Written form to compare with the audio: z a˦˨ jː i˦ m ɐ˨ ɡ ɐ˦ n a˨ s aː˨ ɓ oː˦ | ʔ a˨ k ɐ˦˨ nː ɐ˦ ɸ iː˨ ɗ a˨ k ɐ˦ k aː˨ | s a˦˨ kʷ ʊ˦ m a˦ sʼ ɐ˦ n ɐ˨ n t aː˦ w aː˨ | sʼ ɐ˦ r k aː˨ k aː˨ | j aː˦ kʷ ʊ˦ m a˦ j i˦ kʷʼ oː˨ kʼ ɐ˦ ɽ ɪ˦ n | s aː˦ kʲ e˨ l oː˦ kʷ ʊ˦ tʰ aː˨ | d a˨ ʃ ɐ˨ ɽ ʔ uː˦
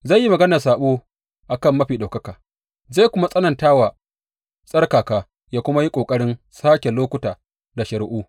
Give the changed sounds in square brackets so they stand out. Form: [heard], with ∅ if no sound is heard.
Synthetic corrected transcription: z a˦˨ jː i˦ m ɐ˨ ɡ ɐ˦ n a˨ s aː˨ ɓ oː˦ | ʔ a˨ k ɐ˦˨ [mː] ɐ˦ ɸ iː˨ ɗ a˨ k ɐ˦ k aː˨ | [z] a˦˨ kʷ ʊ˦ m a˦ sʼ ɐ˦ n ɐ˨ n t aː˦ w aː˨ | sʼ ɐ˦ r k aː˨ k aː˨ | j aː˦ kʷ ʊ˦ m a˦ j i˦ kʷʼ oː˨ kʼ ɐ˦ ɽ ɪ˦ n | s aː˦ kʲ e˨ l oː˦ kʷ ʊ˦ [t] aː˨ | d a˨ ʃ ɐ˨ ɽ ʔ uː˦

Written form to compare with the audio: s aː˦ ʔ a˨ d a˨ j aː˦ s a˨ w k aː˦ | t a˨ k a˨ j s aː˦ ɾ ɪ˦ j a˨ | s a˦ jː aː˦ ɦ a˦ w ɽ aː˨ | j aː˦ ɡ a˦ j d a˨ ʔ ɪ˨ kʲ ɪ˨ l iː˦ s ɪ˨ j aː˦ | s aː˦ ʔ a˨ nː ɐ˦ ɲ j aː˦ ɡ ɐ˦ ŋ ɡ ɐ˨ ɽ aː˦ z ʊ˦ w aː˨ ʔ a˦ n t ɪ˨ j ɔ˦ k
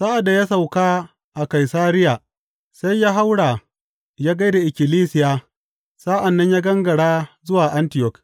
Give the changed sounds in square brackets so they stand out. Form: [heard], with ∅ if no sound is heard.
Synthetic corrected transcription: s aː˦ ʔ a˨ d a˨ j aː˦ s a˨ w k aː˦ | [ʔ] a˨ k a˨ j s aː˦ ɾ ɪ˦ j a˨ | s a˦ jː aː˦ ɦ a˦ w ɽ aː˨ | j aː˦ ɡ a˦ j d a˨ ʔ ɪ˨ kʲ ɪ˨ l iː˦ s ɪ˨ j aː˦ | s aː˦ ʔ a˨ nː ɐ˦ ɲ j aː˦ ɡ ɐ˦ ŋ ɡ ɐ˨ ɽ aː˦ z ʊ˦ w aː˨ ʔ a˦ n t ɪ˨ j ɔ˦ k

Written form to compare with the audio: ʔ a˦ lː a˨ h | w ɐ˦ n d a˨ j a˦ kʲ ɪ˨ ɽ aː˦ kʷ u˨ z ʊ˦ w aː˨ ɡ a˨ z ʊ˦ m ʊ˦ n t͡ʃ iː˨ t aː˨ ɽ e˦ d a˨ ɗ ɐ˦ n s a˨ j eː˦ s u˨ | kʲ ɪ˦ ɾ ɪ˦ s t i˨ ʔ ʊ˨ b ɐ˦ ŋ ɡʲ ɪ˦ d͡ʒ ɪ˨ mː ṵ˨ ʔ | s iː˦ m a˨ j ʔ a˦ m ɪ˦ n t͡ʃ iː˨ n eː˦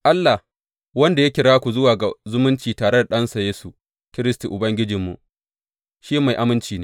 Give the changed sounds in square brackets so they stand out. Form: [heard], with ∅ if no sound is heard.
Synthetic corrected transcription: ʔ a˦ lː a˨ h | w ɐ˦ n d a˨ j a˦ kʲ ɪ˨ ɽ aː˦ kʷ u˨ z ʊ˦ w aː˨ ɡ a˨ z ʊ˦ m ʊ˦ n t͡ʃ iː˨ t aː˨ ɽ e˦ d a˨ ɗ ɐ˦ n s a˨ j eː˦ s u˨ | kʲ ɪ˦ ɾ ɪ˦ s t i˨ ʔ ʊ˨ b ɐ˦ ŋ ɡʲ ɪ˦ d͡ʒ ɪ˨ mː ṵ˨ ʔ | [ʃ] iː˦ m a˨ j ʔ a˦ m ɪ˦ n t͡ʃ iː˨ n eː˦

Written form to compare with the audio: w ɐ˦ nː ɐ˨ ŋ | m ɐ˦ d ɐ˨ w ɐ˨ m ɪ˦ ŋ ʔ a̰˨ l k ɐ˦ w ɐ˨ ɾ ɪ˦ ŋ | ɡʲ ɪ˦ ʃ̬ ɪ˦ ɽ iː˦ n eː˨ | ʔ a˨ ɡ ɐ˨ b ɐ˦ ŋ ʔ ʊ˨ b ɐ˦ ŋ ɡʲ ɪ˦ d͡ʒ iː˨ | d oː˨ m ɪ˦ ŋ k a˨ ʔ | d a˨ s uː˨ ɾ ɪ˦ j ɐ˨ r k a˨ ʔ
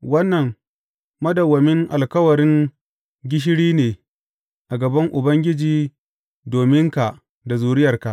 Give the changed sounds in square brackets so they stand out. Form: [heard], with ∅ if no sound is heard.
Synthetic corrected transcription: w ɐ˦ nː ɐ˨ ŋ | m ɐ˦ d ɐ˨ w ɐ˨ m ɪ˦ ŋ ʔ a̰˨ l k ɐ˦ w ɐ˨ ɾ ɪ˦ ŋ | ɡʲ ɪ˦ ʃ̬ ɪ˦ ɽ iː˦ n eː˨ | ʔ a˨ ɡ ɐ˨ b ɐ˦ ŋ ʔ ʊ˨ b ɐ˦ ŋ ɡʲ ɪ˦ d͡ʒ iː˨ | d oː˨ m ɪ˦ ŋ k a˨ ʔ | d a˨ [z] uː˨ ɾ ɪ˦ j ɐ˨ r k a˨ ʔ

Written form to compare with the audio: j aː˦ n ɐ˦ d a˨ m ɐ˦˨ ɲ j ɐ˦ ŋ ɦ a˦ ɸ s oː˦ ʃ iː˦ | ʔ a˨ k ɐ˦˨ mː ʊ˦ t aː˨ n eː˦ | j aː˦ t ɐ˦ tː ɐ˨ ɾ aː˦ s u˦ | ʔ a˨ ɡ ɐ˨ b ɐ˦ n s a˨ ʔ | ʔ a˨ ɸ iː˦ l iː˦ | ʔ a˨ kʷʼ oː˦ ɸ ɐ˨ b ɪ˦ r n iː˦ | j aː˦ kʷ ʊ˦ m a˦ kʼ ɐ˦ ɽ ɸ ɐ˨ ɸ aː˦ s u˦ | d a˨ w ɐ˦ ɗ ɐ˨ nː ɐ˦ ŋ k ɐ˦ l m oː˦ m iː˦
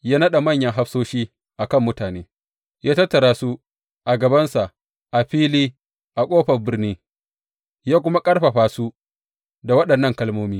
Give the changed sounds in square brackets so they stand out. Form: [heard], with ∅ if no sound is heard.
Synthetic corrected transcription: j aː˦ n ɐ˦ [ɗ] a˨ m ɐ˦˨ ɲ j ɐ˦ ŋ ɦ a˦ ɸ s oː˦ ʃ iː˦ | ʔ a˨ k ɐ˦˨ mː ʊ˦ t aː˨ n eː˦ | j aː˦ t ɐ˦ tː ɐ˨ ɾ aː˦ s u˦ | ʔ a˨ ɡ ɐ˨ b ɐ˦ n s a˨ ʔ | ʔ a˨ ɸ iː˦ l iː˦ | ʔ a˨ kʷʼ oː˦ ɸ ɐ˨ b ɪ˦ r n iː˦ | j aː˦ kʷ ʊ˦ m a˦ kʼ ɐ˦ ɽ ɸ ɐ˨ ɸ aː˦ s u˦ | d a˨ w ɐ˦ ɗ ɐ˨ nː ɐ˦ ŋ k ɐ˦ l m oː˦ m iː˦

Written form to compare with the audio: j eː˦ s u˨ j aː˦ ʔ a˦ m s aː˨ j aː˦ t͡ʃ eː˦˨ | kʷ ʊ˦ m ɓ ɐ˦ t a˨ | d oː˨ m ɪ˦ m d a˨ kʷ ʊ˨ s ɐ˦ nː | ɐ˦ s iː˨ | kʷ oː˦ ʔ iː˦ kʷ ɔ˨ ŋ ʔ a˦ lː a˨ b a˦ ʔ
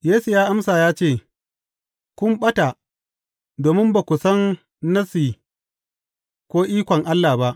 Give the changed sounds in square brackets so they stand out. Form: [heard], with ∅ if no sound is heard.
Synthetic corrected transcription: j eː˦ s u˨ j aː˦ ʔ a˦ m s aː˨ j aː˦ t͡ʃ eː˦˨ | kʷ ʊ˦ m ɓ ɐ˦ t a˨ | d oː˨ m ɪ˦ m [b] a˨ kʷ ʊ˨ s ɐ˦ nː | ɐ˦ s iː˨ | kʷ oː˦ ʔ iː˦ kʷ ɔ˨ ŋ ʔ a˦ lː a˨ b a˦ ʔ

